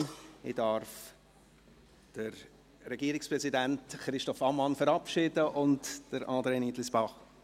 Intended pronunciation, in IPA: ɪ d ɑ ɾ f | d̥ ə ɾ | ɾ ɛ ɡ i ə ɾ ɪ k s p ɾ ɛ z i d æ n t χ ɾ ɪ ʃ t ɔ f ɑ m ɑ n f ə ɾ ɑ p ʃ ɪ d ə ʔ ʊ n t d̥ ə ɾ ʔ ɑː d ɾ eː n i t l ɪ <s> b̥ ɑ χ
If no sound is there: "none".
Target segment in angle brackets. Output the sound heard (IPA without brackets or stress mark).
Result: s